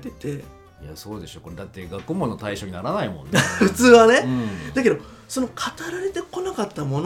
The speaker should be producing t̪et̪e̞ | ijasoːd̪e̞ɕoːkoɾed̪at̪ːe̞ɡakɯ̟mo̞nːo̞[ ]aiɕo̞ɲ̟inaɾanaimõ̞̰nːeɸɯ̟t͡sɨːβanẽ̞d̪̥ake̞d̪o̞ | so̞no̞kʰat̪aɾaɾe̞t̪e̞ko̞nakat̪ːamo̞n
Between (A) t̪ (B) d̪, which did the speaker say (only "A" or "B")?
A